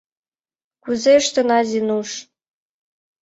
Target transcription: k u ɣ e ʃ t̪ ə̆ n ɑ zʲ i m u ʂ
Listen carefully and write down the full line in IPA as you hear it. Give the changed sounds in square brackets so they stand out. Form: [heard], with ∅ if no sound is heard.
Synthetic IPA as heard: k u [z] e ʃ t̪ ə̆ n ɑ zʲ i [n] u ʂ